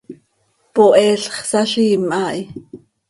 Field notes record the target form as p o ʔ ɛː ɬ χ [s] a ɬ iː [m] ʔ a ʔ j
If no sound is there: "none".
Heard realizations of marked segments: s, m

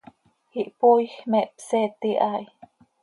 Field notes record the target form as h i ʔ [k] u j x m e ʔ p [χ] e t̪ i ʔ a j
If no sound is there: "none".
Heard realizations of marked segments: p, s

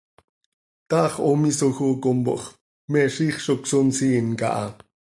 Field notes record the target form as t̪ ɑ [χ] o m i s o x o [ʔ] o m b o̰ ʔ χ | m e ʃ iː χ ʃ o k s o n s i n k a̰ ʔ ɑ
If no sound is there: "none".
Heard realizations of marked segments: χ, k

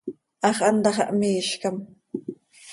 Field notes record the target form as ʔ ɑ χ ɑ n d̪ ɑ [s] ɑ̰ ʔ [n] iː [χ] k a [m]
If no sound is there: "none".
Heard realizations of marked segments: χ, m, ʃ, m

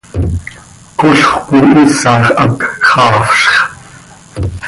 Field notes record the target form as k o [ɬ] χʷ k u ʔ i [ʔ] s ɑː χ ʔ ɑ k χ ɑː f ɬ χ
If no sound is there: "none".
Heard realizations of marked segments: ɬ, none

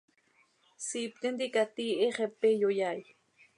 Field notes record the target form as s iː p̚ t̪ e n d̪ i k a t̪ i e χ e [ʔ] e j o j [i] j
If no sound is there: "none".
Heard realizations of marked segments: p, a

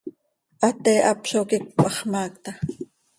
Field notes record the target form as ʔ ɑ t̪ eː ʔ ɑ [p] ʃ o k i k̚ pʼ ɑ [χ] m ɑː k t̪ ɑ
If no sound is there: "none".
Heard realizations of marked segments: p, χ

